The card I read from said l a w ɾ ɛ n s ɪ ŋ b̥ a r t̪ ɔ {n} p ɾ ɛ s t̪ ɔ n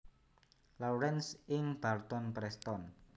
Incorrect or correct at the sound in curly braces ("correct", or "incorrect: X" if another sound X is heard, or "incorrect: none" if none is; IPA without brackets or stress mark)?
correct